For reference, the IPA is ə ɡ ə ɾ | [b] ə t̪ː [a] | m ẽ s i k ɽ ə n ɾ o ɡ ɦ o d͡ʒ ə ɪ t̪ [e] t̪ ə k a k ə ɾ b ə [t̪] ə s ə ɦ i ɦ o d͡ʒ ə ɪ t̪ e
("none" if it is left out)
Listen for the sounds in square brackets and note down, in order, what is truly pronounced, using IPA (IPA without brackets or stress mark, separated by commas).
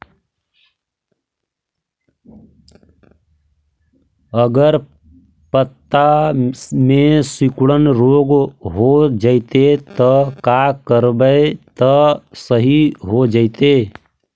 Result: p, a, e, t̪